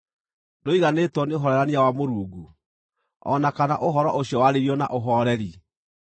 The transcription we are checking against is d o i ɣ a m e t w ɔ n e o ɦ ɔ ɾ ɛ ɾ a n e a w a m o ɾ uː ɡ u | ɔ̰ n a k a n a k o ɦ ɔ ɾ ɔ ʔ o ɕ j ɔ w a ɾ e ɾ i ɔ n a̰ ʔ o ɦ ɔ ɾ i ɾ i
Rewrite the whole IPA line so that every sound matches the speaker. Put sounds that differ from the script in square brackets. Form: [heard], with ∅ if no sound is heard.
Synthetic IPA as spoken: d o i ɣ a [n] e t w ɔ n e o ɦ ɔ ɾ ɛ ɾ a n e a w a m o ɾ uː ɡ u | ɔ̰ n a k a n a [ʔ] o ɦ ɔ ɾ ɔ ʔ o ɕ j ɔ w a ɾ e ɾ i ɔ n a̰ ʔ o ɦ ɔ ɾ [ɛ] ɾ i